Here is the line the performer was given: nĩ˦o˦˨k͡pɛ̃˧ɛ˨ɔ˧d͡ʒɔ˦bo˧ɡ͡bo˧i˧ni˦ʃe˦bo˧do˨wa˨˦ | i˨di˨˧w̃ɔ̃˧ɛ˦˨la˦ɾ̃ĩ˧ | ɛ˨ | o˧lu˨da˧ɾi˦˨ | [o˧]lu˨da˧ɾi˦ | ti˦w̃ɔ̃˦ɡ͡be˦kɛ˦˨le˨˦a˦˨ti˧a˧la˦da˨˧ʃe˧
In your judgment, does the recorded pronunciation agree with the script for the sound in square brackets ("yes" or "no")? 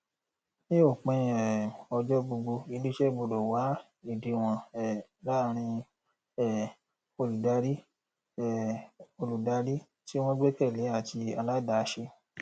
yes